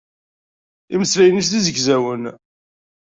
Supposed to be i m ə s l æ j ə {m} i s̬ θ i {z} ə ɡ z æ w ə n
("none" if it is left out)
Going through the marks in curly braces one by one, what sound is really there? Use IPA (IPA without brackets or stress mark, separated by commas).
n, z